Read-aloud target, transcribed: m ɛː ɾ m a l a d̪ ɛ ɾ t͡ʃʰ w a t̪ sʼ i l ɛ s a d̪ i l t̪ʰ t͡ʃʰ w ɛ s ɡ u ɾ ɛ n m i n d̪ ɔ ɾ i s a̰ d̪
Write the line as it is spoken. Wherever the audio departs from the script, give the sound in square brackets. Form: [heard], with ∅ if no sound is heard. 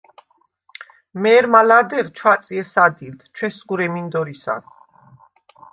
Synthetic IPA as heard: m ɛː ɾ m a l a d̪ ɛ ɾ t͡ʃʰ w a t̪ sʼ i [∅] ɛ s a d̪ i l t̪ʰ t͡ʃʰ w ɛ s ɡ u ɾ ɛ [∅] m i n d̪ ɔ ɾ i s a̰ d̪